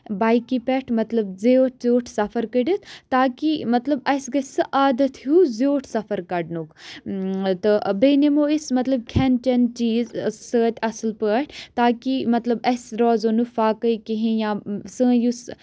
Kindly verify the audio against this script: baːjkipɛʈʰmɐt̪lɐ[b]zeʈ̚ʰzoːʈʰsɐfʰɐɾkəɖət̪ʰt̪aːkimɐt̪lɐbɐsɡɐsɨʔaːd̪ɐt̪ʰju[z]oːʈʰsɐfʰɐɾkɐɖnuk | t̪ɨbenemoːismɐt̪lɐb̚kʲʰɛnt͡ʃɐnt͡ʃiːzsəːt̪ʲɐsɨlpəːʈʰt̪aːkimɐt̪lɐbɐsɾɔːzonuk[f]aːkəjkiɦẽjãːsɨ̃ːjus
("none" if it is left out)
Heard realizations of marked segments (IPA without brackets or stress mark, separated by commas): b, z, f